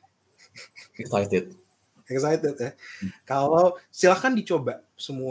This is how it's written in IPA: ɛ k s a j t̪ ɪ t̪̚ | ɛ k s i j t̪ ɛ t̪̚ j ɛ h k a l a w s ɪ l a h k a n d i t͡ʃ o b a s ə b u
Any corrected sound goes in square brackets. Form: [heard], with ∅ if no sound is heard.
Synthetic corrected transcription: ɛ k s a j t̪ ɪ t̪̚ | ɛ k s [a] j t̪ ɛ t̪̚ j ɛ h k a l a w s [i] l a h k a n d i t͡ʃ o b a s ə [m] u